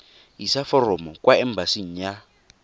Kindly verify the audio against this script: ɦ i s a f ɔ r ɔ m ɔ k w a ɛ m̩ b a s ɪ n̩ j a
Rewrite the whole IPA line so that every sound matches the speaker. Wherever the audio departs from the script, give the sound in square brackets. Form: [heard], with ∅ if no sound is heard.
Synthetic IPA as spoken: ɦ i s a f ɔ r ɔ m ɔ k w a ɛ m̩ b a s [i] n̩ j a